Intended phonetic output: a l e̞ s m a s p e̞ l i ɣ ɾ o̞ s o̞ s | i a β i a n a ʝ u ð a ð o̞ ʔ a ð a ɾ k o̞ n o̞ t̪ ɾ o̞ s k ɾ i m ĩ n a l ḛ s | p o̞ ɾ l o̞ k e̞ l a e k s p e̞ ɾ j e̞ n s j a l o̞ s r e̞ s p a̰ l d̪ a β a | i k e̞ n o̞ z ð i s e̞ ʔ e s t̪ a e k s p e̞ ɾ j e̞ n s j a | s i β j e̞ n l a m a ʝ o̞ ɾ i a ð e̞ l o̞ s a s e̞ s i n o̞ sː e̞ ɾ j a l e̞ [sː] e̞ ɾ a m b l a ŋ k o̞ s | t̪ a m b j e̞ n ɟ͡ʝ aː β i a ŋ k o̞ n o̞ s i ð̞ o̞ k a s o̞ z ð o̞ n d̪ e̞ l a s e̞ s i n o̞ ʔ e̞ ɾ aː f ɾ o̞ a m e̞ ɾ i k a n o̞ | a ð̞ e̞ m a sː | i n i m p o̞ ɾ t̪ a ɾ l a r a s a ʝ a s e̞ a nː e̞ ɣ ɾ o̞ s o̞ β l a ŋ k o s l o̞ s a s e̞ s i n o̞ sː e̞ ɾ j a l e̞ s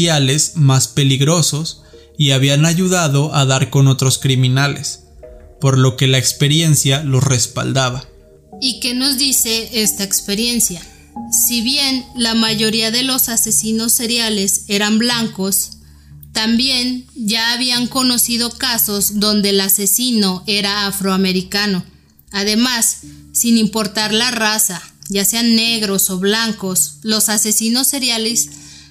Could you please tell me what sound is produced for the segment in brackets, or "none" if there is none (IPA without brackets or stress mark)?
s